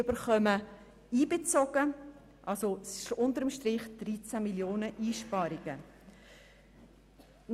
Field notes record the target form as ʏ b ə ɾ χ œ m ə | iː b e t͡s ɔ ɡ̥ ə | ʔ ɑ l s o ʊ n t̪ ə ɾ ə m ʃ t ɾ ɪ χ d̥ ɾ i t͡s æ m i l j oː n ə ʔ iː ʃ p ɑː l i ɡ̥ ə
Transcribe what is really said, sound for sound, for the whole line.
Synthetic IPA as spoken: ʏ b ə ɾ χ œ m ə | iː b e t͡s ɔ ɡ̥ ə | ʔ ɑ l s o ʊ n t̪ ə ɾ ə m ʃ t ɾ ɪ χ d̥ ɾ i t͡s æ m i l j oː n ə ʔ iː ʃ p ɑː ɾ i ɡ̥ ə

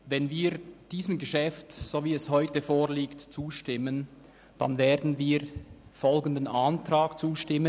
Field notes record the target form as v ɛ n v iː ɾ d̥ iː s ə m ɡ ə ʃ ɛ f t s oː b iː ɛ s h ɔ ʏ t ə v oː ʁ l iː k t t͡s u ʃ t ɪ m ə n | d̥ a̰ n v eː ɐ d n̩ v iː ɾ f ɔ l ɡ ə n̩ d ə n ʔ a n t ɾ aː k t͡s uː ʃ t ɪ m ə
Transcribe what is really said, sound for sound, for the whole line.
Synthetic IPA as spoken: v ɛ n v iː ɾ d̥ iː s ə m ɡ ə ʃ ɛ f t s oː v iː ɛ s h ɔ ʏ t ə f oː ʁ l iː k t t͡s uː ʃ t ɪ m ə n | d̥ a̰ n v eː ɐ d n̩ v iː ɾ f ɔ l ɡ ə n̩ d ə n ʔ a n t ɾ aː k t͡s uː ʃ t ɪ m ə

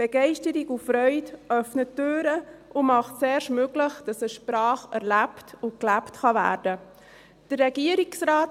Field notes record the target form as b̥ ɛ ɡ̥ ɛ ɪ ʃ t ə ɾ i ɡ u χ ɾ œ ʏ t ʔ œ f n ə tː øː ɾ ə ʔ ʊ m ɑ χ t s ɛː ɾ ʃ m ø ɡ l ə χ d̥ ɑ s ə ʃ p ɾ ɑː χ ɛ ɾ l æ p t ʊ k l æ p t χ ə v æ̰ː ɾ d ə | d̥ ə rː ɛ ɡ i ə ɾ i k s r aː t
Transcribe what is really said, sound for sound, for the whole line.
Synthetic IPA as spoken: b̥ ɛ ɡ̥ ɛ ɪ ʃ t ə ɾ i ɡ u f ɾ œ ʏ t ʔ œ f n ə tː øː ɾ ə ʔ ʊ m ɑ χ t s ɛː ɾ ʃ m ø ɡ l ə χ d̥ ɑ s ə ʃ p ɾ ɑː χ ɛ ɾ l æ p t ʊ k l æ p t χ ɑ v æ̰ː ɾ d ə | d̥ ə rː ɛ ɡ i ə ɾ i k s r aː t

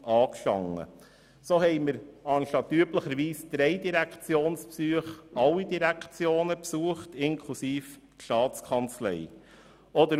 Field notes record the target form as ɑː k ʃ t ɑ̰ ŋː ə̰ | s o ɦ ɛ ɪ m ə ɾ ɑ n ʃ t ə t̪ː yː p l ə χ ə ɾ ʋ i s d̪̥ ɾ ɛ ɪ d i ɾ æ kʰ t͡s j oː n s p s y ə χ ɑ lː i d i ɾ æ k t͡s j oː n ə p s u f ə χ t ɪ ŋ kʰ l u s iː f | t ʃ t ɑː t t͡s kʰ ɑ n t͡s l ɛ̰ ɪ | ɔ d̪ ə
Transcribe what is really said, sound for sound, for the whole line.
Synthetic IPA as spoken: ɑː k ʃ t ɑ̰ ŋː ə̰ | s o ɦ ɛ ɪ m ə ɾ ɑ n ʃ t ɑ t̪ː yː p l ə χ ə ɾ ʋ iː s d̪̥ ɾ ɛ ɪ d i ɾ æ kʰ t͡s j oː n s p s y ə χ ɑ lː i d i ɾ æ k t͡s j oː n ə p s u ə χ t ɪ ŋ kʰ l u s iː f | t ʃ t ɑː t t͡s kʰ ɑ n t͡s l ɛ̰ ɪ | ɔ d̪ ə

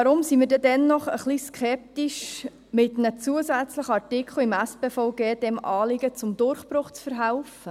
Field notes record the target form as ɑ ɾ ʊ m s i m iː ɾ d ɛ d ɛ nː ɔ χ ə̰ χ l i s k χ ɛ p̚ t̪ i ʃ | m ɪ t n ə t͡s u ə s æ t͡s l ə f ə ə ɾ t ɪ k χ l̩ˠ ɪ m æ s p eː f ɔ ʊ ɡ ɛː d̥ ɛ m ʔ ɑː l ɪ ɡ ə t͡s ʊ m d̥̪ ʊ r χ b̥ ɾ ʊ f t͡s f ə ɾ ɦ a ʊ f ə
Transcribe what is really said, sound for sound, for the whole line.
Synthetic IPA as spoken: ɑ ɾ ʊ m s i m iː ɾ d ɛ d ɛ nː ɔ χ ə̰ χ l i s k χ ɛ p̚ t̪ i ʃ | m ɪ t n ə t͡s u ə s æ t͡s l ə χ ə ɑ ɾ t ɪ k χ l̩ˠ ɪ m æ s p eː f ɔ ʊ ɡ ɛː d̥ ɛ m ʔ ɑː l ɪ ɡ ə t͡s ʊ m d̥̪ ʊ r χ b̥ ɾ ʊ χ t͡s f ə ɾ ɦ a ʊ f ə

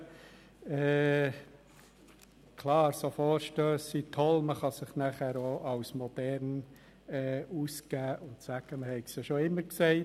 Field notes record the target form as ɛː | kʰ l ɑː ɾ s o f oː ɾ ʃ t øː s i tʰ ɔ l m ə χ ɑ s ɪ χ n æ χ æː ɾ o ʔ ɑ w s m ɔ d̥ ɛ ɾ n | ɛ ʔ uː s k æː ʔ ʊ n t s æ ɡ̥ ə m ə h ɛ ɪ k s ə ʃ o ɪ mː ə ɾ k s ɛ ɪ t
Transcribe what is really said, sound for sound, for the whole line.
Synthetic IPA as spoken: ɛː | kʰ l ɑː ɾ s o f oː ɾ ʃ t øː s i tʰ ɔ l m ə χ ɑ s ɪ χ n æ χ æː ɾ o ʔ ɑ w s m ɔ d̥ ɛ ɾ n | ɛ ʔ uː s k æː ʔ ʊ n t s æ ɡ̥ ə m ə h ɛ ɪ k s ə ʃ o ɪ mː ə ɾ k s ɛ ɪ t

